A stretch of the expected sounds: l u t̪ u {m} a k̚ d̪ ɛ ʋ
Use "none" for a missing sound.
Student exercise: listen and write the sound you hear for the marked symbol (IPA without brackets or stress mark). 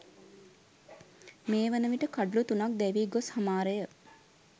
n